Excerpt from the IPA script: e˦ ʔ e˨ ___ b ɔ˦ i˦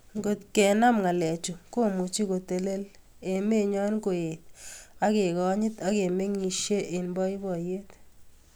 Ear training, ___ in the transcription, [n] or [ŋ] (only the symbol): n